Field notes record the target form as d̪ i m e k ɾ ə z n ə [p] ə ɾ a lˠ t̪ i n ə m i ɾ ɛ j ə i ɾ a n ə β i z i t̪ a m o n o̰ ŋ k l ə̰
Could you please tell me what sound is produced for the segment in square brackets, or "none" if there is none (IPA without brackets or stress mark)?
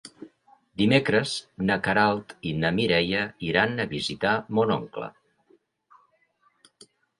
k